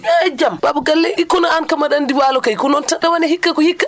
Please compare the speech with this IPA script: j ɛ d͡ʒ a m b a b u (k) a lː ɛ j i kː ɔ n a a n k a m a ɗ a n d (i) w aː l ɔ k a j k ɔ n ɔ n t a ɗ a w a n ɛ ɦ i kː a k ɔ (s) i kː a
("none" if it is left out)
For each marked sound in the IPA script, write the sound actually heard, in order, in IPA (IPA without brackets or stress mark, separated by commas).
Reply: ɡ, i, h